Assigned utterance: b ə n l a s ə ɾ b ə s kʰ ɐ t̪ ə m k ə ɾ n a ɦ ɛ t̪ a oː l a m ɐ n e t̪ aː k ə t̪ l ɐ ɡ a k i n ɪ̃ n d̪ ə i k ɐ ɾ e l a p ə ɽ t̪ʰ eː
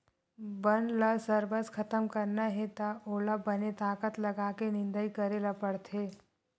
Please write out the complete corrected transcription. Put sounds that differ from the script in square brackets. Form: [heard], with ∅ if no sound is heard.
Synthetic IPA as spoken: b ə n l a s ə ɾ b ə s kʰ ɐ t̪ ə m k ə ɾ n a ɦ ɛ t̪ a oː l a [b] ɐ n e t̪ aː k ə t̪ l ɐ ɡ a k [e] n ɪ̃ n d̪ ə i k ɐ ɾ e l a p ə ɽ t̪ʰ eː